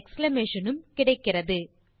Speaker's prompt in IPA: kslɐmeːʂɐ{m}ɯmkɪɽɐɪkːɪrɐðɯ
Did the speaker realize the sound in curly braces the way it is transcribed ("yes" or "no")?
no